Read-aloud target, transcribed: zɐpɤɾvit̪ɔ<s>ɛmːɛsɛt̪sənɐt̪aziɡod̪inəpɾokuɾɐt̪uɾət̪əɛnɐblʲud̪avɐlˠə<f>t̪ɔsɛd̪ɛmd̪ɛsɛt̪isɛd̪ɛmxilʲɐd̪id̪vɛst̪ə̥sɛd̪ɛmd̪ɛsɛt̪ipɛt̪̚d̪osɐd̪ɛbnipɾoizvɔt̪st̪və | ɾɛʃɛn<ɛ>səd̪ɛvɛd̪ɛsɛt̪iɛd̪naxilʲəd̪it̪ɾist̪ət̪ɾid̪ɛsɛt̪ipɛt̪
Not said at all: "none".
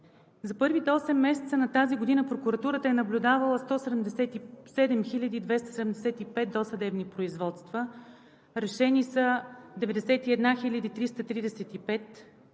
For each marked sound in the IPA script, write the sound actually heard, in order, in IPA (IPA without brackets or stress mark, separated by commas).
s, s, i